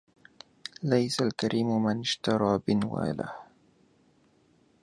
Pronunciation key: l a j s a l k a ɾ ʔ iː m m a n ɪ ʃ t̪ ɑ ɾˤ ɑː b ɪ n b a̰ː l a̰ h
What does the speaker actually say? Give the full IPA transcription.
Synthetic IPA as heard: l a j s a l k a ɾ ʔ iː m m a n ɪ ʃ t̪ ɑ ɾˤ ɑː b ɪ n w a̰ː l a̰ h